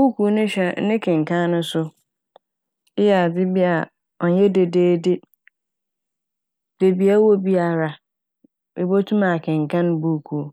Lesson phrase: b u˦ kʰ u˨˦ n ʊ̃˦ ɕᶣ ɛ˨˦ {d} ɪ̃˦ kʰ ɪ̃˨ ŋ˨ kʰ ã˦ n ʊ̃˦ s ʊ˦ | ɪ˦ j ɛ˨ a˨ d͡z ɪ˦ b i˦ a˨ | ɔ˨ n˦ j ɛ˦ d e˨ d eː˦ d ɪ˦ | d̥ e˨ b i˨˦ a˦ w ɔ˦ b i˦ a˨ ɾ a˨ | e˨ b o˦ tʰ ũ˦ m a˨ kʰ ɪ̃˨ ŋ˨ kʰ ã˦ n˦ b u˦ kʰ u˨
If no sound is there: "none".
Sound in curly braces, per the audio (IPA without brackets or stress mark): n